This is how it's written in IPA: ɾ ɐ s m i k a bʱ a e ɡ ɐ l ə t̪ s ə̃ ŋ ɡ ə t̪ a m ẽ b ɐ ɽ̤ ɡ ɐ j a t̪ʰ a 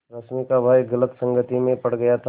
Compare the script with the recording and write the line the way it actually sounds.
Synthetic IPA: ɾ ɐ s m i k a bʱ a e ɡ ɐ l ə t̪ s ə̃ ŋ ɡ ə t̪ i m ẽ p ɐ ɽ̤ ɡ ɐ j a t̪ʰ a